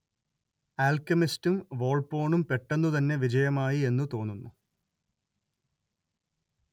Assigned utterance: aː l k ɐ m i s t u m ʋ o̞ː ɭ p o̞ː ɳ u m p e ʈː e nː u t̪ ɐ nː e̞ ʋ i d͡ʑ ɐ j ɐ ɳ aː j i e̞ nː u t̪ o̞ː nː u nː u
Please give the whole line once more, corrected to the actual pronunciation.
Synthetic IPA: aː l k ɐ m i s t u m ʋ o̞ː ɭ p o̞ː ɳ u m p e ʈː e nː u t̪ ɐ nː e̞ ʋ i d͡ʑ ɐ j ɐ m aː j i e̞ nː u t̪ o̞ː nː u nː u